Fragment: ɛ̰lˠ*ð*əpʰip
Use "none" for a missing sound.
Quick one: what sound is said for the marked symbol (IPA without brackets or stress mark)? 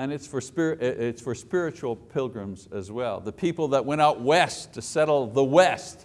ð